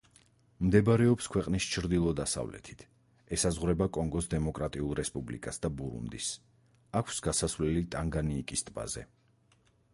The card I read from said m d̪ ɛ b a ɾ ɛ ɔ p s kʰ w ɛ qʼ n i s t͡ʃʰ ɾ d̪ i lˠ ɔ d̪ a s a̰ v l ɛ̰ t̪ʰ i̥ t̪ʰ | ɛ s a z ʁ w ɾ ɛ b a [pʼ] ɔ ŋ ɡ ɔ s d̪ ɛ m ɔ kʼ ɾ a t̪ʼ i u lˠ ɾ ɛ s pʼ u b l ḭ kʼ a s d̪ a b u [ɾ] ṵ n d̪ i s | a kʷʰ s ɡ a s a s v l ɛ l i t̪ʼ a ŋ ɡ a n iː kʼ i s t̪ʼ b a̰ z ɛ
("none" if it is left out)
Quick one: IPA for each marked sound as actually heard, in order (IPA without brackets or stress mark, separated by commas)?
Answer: kʼ, ɾ